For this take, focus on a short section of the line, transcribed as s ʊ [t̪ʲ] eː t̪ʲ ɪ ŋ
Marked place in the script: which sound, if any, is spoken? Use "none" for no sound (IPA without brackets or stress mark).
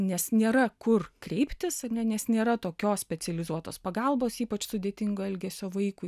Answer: d̪ʲ